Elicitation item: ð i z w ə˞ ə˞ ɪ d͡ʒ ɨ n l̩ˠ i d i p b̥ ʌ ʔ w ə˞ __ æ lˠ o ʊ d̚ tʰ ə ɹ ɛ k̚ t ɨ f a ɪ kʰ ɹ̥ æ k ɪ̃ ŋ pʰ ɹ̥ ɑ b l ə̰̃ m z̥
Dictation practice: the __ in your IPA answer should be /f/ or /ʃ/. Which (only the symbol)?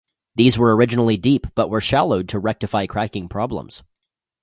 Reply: ʃ